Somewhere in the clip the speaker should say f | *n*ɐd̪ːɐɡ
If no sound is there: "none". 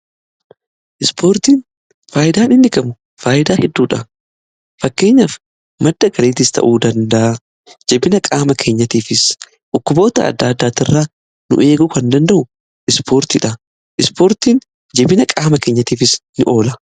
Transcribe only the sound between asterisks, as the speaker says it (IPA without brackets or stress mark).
m